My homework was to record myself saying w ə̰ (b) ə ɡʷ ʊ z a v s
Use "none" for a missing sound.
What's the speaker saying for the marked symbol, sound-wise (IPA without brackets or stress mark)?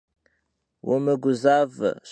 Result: m